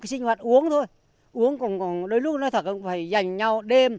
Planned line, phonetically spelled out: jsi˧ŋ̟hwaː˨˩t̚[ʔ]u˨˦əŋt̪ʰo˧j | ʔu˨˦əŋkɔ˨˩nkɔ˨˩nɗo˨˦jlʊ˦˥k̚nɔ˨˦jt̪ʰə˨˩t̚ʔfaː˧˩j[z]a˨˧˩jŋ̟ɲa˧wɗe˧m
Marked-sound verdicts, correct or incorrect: correct, correct

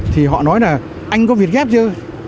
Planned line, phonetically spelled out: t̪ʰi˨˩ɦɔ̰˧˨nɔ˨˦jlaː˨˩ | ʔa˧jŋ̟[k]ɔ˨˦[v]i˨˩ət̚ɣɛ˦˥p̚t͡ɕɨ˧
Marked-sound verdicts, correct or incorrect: correct, correct

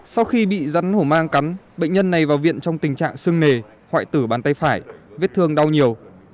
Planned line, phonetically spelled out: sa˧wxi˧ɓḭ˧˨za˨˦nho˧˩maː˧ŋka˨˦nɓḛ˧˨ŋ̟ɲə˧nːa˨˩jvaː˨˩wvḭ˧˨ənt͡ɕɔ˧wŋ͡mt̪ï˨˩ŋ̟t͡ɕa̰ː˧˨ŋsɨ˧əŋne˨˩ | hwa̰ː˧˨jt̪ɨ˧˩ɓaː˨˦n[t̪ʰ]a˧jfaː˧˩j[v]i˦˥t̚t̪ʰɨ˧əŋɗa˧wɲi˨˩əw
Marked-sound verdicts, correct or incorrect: incorrect: t̪, correct

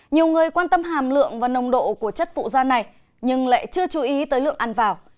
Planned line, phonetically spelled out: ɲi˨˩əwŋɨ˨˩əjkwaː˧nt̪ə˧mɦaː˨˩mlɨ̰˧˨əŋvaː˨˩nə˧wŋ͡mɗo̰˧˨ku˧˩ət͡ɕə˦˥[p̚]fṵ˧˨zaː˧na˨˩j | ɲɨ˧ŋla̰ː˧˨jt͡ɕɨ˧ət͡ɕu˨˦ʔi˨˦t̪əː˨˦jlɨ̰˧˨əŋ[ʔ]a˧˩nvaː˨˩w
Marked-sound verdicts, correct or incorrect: incorrect: t̚, correct

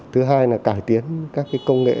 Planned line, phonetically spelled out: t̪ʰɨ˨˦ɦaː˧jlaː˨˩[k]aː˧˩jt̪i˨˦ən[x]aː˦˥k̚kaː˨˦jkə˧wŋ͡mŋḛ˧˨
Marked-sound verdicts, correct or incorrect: correct, incorrect: k

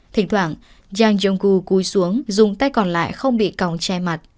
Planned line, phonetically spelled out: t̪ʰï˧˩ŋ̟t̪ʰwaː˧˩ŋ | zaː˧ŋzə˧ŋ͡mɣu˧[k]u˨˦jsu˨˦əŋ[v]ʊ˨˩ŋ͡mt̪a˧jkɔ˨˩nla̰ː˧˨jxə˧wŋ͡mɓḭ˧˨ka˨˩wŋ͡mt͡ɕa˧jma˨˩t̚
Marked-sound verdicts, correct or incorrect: correct, incorrect: z

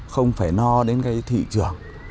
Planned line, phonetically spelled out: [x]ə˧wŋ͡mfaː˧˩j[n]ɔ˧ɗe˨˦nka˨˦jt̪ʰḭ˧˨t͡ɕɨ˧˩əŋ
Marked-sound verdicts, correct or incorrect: correct, correct

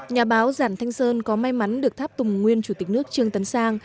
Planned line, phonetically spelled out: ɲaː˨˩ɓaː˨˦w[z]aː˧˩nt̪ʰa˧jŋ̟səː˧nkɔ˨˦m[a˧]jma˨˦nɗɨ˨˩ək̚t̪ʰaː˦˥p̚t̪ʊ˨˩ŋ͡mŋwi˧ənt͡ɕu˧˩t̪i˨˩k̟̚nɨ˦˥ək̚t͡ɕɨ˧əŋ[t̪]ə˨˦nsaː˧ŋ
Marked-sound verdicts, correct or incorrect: correct, correct, correct

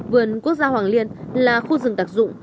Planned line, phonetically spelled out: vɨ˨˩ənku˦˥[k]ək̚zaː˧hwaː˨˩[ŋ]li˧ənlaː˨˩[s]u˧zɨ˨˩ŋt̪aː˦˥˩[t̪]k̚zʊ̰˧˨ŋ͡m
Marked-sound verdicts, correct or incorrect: incorrect: none, correct, incorrect: x, incorrect: none

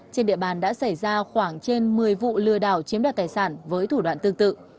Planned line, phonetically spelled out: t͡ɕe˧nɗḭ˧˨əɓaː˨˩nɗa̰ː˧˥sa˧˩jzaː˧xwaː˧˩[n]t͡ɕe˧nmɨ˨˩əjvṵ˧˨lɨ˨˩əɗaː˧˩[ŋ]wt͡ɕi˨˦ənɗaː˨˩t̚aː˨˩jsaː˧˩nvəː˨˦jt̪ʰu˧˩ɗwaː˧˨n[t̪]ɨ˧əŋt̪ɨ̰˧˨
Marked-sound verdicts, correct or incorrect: incorrect: ŋ, incorrect: none, correct

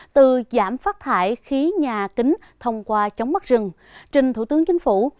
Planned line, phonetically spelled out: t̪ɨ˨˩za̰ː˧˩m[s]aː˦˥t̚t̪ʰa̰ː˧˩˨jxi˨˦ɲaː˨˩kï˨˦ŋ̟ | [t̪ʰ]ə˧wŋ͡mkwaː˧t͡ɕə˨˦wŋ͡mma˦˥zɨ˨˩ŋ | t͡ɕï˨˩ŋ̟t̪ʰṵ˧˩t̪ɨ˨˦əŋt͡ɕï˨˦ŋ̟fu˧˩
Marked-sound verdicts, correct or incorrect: incorrect: f, correct

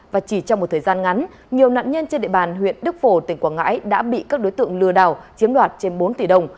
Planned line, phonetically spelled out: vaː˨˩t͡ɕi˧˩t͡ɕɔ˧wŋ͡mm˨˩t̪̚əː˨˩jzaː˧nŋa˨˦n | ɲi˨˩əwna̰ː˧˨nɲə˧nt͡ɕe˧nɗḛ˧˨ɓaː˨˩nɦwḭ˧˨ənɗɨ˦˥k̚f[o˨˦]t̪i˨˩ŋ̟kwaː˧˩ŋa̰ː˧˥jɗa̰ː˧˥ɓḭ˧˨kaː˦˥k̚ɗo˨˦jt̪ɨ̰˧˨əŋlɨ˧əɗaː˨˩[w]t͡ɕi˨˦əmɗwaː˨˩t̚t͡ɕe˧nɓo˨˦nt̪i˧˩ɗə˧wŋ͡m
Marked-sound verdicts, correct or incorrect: incorrect: o˧˩, correct

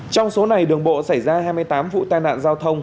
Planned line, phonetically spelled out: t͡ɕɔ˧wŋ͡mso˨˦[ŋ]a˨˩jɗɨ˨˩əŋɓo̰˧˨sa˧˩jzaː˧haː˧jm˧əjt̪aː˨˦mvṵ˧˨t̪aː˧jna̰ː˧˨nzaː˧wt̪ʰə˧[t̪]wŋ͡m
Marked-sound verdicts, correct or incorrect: incorrect: n, incorrect: none

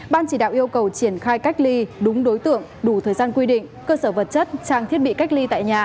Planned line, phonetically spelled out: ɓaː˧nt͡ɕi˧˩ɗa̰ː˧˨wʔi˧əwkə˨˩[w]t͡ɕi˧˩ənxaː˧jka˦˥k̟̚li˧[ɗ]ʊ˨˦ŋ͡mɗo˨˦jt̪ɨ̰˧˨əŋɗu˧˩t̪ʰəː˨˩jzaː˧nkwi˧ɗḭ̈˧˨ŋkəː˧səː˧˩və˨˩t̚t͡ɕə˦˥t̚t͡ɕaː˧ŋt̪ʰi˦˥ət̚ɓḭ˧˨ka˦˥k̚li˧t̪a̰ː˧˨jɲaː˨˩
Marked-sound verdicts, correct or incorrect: correct, correct

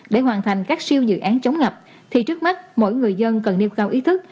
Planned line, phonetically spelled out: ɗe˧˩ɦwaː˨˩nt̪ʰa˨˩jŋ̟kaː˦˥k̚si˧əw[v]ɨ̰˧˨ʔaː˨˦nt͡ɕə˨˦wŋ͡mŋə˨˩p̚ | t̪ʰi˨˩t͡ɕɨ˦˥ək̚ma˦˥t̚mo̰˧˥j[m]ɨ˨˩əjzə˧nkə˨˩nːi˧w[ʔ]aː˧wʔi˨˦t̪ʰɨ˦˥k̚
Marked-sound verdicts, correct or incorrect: incorrect: z, incorrect: ŋ, incorrect: k

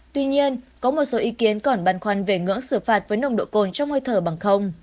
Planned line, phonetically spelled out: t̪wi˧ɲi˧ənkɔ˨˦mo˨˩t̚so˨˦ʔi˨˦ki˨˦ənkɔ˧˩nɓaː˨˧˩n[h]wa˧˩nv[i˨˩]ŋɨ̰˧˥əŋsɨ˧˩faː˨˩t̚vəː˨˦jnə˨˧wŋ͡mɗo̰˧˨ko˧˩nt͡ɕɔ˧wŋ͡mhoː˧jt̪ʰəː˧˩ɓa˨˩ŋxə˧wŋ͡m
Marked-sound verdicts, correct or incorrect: incorrect: x, incorrect: e˨˩

